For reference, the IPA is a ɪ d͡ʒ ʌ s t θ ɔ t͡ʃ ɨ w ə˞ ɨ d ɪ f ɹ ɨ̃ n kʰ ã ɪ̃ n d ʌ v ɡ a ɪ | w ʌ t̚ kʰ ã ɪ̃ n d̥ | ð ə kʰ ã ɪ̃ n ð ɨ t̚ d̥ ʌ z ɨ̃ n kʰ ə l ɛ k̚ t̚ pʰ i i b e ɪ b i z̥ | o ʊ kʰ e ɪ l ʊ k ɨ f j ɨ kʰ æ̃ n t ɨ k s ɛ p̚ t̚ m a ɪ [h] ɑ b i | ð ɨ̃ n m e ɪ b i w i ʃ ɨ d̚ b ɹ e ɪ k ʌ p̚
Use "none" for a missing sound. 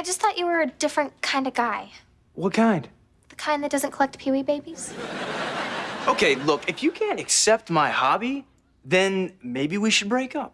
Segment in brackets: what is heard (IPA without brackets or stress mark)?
h